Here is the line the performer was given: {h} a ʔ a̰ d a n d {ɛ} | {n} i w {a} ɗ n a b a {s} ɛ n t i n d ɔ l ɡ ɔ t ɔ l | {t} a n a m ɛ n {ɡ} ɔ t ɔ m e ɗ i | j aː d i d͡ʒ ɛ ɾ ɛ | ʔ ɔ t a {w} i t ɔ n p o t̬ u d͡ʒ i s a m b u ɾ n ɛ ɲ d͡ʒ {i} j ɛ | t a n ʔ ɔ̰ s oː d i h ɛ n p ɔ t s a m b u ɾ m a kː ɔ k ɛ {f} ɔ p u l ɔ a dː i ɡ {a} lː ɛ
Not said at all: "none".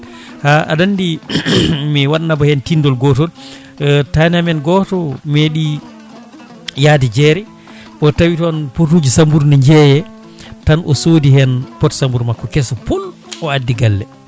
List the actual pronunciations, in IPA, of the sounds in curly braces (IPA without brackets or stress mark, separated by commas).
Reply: h, i, m, a, h, t, ɡ, w, ɛ, s, a